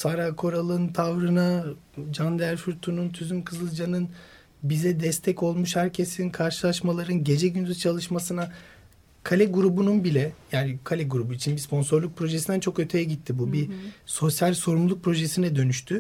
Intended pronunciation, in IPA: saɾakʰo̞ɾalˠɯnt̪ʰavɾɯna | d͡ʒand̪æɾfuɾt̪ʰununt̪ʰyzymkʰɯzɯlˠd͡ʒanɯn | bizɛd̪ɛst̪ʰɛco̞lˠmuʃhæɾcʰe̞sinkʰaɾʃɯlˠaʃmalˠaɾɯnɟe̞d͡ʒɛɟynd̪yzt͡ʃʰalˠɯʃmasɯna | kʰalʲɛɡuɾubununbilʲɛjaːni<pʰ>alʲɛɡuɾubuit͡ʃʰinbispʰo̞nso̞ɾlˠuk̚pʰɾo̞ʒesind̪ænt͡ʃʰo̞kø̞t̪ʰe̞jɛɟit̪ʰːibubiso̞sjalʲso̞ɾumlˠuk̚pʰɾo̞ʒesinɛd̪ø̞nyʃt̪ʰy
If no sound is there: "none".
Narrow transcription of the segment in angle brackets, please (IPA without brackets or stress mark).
kʰ